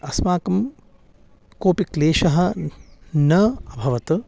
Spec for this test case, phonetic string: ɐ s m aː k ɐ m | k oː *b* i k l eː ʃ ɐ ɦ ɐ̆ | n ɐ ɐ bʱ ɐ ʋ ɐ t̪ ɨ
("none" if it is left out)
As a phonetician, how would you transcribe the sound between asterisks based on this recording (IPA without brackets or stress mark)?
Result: p